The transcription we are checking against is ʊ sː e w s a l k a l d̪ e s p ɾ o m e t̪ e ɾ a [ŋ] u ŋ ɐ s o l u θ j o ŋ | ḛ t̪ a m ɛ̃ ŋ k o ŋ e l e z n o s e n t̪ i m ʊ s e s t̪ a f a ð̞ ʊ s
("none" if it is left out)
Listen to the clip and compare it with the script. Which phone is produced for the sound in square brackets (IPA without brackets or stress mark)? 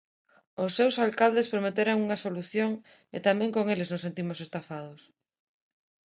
ŋ